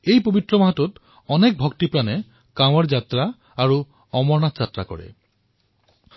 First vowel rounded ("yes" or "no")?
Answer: no